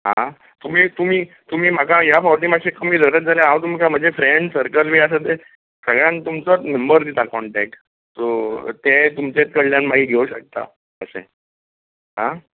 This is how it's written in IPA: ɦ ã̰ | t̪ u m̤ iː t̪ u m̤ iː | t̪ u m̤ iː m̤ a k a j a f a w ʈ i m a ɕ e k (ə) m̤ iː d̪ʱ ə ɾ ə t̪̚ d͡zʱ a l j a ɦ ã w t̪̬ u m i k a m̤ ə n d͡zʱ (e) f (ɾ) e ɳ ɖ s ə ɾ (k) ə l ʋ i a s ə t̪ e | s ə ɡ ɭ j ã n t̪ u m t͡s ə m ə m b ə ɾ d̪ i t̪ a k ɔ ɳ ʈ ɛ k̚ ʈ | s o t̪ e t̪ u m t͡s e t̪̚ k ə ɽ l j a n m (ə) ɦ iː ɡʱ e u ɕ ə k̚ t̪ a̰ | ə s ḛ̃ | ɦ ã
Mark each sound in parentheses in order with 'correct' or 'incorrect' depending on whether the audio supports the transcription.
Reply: correct, correct, correct, correct, incorrect

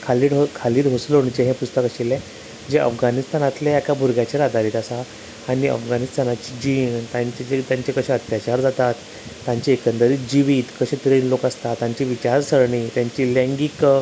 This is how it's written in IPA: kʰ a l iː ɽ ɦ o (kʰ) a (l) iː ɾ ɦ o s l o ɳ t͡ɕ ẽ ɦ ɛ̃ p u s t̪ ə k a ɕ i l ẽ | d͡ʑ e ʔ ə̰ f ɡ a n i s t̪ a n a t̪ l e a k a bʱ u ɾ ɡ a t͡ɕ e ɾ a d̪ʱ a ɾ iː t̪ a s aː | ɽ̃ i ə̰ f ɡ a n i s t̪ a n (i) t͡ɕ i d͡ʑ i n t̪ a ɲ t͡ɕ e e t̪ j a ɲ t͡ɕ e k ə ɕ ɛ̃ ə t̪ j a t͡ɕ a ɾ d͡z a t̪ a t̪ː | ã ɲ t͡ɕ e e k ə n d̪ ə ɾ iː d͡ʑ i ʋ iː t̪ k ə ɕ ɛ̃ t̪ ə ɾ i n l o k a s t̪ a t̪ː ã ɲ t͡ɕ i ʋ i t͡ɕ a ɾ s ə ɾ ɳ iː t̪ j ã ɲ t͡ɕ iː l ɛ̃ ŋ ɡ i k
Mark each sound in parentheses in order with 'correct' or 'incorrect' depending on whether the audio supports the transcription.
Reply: correct, correct, incorrect

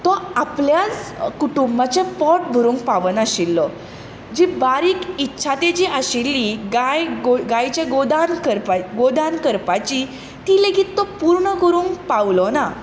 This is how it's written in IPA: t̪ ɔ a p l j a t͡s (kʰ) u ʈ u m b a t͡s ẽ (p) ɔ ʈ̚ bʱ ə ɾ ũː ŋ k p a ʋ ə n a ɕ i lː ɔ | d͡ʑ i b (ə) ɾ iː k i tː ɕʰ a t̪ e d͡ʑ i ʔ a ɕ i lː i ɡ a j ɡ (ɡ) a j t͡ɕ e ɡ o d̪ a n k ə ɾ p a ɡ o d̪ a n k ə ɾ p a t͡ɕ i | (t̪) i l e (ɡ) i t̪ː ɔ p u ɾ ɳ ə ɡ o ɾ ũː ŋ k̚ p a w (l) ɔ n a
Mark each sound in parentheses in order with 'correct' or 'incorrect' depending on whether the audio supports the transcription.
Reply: incorrect, correct, incorrect, correct, correct, correct, correct

